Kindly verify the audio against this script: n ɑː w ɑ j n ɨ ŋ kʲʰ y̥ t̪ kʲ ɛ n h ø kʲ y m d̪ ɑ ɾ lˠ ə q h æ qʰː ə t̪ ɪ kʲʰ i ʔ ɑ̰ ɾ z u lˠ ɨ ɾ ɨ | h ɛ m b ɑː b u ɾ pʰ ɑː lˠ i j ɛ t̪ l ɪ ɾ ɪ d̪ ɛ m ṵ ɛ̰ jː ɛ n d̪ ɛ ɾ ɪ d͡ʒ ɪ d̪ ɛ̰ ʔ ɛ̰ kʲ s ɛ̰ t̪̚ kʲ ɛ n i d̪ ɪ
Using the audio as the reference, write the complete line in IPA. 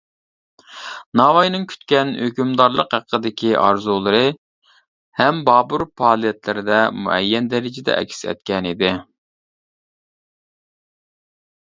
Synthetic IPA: n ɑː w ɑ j n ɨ ŋ kʲʰ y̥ t̪ kʲ ɛ n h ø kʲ y m d̪ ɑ ɾ lˠ ə q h æ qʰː ə d̪ ɪ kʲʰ i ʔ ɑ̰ ɾ z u lˠ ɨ ɾ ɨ | h ɛ m b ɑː b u ɾ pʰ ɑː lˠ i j ɛ t̪ l ɪ ɾ ɪ d̪ ɛ m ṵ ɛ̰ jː ɛ n d̪ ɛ ɾ ɪ d͡ʒ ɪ d̪ ɛ̰ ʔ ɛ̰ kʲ s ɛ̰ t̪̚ kʲ ɛ n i d̪ ɪ